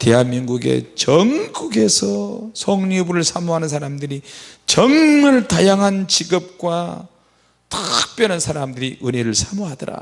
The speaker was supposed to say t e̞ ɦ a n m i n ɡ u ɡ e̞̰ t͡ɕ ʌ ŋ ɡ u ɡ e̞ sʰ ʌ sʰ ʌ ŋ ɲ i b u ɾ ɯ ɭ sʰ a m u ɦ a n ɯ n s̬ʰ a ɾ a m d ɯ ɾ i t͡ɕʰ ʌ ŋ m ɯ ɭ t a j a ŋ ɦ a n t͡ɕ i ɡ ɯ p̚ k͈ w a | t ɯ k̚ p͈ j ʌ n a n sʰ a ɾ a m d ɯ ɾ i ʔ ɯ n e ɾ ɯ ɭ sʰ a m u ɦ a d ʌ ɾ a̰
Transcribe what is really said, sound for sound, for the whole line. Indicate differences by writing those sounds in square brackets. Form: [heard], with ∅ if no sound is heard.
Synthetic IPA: t e̞ ɦ a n m i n ɡ u ɡ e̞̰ t͡ɕ ʌ ŋ ɡ u ɡ e̞ sʰ ʌ sʰ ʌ ŋ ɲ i b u ɾ ɯ ɭ sʰ a m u ɦ a n ɯ n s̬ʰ a ɾ a m d ɯ ɾ i [t͡ɕ] ʌ ŋ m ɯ ɭ t a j a ŋ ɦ a n t͡ɕ i ɡ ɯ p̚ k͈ w a | t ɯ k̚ p͈ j ʌ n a n sʰ a ɾ a m d ɯ ɾ i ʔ ɯ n e ɾ ɯ ɭ sʰ a m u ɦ a d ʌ ɾ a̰